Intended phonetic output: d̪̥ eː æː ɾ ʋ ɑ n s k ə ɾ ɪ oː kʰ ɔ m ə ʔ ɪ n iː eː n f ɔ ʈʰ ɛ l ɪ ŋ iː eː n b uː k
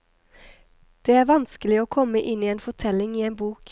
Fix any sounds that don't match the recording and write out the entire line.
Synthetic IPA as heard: d̪̥ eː æː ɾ ʋ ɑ n s k ə l ɪ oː kʰ ɔ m ə ʔ ɪ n iː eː n f ɔ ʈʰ ɛ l ɪ ŋ iː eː n b uː k